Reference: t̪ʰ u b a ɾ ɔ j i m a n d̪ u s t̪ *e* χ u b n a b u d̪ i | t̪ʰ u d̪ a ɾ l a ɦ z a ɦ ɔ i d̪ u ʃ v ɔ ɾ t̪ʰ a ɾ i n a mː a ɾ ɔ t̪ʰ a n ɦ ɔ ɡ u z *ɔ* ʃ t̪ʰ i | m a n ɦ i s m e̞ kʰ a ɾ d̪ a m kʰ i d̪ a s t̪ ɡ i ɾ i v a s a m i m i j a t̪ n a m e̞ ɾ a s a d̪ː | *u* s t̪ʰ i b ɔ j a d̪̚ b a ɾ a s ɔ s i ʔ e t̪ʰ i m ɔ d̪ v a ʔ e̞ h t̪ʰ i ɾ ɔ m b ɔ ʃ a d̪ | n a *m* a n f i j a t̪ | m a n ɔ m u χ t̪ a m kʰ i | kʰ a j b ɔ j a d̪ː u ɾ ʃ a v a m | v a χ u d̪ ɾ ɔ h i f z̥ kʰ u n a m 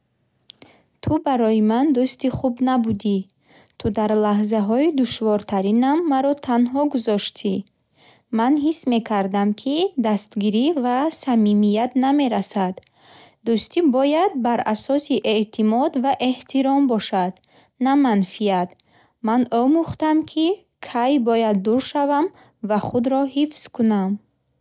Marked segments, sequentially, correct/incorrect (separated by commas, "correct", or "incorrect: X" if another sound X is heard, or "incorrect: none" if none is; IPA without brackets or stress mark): incorrect: i, correct, correct, correct